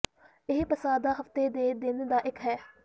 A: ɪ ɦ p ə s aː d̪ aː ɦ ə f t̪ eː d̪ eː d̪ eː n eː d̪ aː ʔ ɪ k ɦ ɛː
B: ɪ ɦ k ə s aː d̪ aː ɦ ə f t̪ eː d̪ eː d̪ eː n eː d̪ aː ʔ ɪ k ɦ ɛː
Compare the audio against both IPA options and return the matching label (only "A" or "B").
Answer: A